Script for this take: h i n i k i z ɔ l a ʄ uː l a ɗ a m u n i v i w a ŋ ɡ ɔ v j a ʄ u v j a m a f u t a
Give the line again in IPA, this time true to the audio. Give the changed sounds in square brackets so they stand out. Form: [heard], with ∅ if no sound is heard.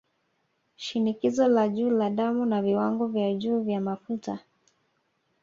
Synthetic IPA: [ʃ] i n i k i z ɔ l a ʄ uː l a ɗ a m u n [a] v i w a ŋ ɡ ɔ v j a ʄ [uː] v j a m a f u t a